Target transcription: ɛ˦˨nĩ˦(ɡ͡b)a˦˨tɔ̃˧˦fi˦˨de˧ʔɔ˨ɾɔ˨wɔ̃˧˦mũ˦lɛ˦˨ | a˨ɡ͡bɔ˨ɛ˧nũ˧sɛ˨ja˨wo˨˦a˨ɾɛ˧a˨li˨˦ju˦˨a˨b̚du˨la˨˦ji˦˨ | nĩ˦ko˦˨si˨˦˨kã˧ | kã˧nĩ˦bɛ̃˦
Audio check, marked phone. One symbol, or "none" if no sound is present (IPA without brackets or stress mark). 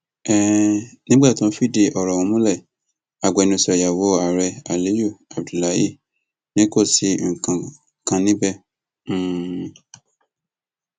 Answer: ɡ͡b